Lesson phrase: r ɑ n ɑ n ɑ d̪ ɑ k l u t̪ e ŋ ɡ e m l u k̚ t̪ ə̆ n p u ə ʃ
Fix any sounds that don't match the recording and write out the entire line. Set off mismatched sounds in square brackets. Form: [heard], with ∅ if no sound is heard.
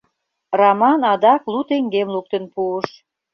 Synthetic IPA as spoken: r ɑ [m] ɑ n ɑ d̪ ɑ k l u t̪ e ŋ ɡ e m l u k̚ t̪ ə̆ n p u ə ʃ